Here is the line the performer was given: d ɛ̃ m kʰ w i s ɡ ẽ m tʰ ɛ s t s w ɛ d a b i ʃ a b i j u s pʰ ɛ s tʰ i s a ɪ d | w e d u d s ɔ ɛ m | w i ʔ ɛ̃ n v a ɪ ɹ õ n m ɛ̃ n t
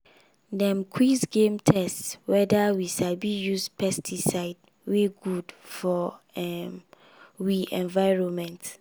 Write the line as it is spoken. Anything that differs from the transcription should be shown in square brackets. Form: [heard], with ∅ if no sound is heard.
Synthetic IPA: d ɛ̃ m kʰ w i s ɡ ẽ m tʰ ɛ s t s w ɛ d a [w] i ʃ a b i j u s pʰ ɛ s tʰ i s a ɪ d | w e [ɡ] u d [f] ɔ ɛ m | w i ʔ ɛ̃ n v a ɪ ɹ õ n m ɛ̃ n t